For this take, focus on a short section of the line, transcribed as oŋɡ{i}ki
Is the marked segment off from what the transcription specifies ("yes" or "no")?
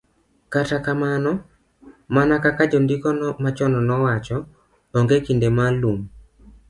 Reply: yes